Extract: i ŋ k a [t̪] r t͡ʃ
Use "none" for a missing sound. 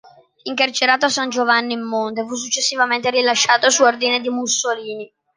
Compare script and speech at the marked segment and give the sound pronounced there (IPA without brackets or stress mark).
none